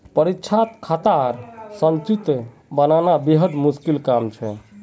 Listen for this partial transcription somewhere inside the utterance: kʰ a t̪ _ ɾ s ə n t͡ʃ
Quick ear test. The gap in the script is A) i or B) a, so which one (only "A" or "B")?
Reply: B